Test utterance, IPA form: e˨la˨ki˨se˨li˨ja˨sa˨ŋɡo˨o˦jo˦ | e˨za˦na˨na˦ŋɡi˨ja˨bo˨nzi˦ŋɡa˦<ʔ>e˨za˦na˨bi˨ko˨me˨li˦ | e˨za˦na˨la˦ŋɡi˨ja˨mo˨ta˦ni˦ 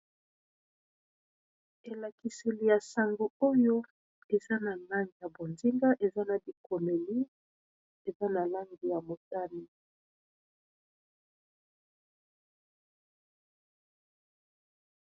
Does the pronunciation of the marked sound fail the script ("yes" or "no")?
no